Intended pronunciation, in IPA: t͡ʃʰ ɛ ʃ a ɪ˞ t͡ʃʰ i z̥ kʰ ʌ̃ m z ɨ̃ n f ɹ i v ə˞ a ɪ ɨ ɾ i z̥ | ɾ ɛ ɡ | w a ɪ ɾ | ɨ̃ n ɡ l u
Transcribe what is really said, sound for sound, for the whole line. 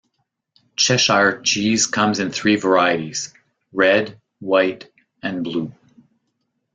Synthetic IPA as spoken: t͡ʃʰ ɛ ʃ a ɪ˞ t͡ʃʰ i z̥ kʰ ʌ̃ m z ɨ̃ n θ ɹ i v ə˞ a ɪ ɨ ɾ i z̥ | ɹ ɛ d | w a ɪ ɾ | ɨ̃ n b l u